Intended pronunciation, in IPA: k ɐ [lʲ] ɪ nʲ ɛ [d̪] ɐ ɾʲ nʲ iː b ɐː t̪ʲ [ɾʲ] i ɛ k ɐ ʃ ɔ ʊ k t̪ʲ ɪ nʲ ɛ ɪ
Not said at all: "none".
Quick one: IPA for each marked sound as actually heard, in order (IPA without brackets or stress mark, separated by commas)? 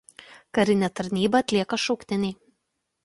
ɾʲ, t̪, lʲ